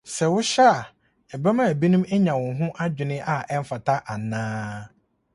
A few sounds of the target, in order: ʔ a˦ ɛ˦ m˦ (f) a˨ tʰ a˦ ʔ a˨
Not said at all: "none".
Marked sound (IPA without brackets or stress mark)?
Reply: f